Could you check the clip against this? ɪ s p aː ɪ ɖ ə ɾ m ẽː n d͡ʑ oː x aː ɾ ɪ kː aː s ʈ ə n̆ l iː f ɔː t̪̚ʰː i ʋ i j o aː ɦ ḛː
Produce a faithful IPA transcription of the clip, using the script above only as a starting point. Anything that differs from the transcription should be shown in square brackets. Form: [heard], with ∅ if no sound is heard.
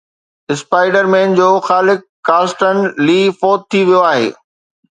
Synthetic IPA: ɪ s p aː ɪ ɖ ə ɾ m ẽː n d͡ʑ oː x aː [l] ɪ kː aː s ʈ ə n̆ l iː f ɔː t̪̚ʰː i ʋ i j o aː ɦ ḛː